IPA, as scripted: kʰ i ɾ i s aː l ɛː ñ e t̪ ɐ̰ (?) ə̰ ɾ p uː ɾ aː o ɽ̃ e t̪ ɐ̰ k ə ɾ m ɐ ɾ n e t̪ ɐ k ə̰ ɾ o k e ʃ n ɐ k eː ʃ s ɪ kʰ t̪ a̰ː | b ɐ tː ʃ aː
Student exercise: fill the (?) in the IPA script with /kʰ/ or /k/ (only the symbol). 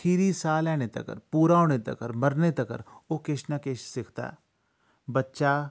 k